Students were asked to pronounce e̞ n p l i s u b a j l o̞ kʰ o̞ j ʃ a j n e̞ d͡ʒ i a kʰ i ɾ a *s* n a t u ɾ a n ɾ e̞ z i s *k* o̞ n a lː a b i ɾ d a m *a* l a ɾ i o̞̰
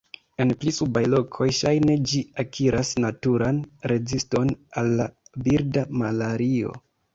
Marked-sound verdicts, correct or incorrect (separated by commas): correct, incorrect, correct